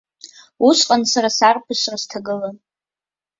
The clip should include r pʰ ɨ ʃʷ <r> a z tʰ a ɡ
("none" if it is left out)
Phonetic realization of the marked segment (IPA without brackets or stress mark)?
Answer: r